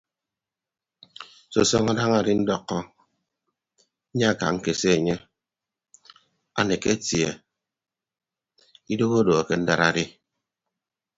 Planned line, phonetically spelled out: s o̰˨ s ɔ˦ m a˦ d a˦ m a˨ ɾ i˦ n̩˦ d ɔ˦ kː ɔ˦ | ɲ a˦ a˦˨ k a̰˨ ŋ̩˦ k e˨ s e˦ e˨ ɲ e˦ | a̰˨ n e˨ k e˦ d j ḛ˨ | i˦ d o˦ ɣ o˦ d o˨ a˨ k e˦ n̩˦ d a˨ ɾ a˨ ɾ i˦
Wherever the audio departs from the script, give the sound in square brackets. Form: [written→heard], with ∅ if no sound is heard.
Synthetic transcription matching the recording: s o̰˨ s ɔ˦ [m→ŋ] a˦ d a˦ [m→ŋ] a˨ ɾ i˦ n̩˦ d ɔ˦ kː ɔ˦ | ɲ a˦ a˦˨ k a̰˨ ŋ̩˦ k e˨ s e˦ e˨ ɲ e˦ | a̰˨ n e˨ k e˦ [d→t] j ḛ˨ | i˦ d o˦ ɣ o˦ d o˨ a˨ k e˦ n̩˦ d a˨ ɾ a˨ ɾ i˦